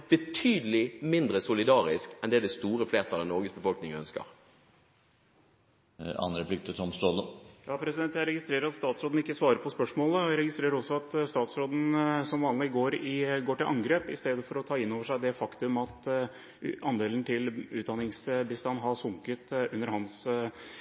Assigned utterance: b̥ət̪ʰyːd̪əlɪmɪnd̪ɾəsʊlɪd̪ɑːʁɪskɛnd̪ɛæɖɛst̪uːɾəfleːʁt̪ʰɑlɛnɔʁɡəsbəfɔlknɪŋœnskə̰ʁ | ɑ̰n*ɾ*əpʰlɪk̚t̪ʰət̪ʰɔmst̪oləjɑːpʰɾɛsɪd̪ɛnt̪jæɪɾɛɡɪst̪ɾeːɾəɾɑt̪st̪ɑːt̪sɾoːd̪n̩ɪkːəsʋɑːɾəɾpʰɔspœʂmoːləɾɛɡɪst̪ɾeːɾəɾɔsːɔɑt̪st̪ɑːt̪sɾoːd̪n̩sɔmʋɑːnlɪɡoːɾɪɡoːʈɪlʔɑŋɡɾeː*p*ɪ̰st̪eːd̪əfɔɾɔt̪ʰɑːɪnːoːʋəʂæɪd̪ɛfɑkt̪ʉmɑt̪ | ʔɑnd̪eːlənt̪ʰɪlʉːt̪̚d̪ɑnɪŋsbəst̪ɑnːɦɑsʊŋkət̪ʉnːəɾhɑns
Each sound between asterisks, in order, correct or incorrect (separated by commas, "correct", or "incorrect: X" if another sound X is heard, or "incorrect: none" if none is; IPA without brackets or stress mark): correct, correct